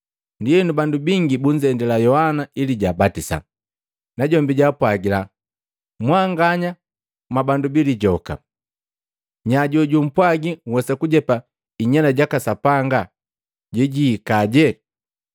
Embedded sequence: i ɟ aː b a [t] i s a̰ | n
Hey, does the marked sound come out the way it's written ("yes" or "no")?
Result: yes